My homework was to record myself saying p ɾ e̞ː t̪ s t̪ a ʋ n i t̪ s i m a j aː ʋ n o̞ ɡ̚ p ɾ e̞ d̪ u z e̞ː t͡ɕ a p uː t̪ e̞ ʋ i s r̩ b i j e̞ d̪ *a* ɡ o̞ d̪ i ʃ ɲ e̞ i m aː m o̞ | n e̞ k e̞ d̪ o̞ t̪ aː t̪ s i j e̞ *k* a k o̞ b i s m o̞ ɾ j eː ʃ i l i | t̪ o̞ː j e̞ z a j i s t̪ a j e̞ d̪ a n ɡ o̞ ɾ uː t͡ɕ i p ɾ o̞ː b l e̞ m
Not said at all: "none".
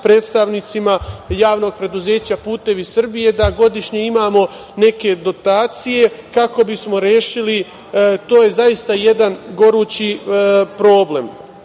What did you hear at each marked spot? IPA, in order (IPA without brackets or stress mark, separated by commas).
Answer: a, k